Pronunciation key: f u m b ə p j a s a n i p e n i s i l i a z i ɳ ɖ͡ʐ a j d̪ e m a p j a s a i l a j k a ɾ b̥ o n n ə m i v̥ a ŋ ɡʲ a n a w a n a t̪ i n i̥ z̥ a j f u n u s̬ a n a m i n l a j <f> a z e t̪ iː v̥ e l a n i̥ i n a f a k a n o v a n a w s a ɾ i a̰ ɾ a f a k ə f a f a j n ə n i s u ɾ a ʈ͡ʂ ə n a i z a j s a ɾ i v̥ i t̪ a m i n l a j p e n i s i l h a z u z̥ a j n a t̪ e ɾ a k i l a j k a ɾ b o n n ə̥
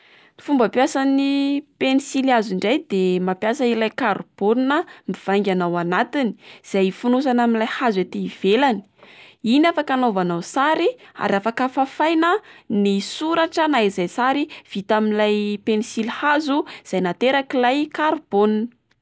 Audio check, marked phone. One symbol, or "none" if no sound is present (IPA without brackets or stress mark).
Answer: h